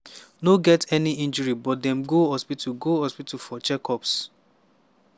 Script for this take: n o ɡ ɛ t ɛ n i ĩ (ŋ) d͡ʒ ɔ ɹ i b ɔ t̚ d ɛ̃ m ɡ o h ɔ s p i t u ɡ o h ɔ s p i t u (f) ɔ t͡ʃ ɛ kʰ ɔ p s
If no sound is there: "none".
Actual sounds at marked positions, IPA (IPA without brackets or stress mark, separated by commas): n, f